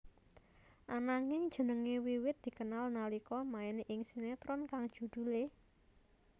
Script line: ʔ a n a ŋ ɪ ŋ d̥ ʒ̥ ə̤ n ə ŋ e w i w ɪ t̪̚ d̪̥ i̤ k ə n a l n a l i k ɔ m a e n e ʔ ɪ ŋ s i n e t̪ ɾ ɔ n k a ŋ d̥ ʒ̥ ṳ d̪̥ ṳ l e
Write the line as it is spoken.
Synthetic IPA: ʔ a n a ŋ ɪ ŋ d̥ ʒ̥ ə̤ n ə ŋ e w i w ɪ t̪̚ d̪̥ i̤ k ə n a l n a l i k ɔ m a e n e ʔ ɪ ŋ s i n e t̪ ɾ ɔ n k a ŋ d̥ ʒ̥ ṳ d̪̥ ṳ l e

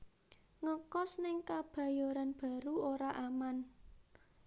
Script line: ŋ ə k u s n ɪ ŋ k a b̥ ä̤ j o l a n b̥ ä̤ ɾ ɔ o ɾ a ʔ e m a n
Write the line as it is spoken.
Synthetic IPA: ŋ ə k ɔ s n ɪ ŋ k a b̥ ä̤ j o ɾ a n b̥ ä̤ ɾ u o ɾ a ʔ a m a n

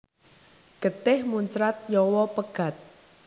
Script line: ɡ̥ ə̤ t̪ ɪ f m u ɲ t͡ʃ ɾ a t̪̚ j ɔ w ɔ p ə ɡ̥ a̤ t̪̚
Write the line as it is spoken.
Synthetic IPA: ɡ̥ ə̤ t̪ ɪ h m u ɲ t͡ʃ ɾ a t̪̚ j ɔ w ɔ p ə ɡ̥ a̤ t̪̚

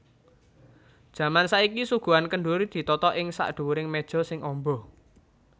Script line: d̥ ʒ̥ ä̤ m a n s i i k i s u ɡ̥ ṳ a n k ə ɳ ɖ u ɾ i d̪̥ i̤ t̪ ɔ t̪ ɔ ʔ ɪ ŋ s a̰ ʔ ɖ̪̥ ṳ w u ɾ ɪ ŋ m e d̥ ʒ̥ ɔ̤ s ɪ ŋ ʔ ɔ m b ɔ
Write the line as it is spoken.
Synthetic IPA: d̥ ʒ̥ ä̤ m a n s a i k i s u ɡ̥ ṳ a n k ə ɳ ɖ u ɾ i d̪̥ i̤ t̪ ɔ t̪ ɔ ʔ ɪ ŋ s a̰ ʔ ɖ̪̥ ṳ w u ɾ ɪ ŋ m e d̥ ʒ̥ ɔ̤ s ɪ ŋ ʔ ɔ m b ɔ

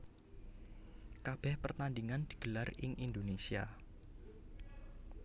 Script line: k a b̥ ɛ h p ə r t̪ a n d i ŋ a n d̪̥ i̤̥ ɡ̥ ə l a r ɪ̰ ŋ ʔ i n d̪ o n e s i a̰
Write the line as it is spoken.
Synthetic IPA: k a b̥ ɛ h p ə r t̪ a n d i ŋ a n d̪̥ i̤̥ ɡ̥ ə l a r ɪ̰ ŋ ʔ i n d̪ o n e s i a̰

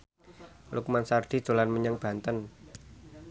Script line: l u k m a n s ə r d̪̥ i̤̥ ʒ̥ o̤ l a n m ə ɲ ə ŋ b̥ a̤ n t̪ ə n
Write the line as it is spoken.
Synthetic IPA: l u k m a n s a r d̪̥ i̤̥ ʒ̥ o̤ l a n m ə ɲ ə ŋ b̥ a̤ n t̪ ə n

